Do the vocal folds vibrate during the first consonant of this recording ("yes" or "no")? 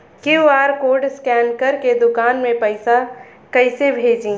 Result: no